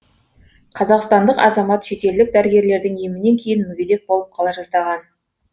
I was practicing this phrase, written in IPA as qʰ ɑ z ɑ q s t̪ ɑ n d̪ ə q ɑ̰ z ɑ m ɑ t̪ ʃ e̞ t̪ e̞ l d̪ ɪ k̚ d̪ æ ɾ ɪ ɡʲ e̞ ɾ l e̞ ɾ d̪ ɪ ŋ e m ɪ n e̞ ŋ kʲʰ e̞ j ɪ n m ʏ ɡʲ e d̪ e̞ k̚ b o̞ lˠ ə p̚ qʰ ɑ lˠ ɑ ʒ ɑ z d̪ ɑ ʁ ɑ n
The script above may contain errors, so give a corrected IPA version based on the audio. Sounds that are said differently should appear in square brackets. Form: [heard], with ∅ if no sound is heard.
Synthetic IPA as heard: qʰ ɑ z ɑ q s t̪ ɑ n d̪ ə q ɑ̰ z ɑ m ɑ t̪ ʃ e̞ t̪ e̞ l d̪ ɪ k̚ d̪ æ ɾ ɪ ɡʲ e̞ ɾ l e̞ ɾ d̪ ɪ ŋ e m ɪ n e̞ ŋ kʲʰ e̞ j ɪ n m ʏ ɡʲ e d̪ e̞ k̚ b o̞ lˠ ə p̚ qʰ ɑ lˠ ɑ ʒ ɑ z d̪ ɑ ʁ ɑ n